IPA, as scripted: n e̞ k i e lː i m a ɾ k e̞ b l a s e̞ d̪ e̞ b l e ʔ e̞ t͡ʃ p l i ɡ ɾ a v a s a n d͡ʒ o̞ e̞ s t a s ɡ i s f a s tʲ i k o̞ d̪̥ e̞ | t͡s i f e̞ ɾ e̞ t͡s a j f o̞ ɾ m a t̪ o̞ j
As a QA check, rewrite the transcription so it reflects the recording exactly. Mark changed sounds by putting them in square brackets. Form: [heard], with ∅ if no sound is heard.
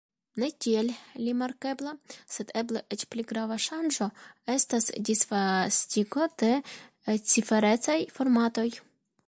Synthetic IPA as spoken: n e̞ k i e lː i m a ɾ k e̞ b l a s e̞ d̪ e̞ b l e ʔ e̞ t͡ʃ p l i ɡ ɾ a v a [ʃ] a n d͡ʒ o̞ e̞ s t a s [d] i s f a s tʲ i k o̞ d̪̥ e̞ | t͡s i f e̞ ɾ e̞ t͡s a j f o̞ ɾ m a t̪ o̞ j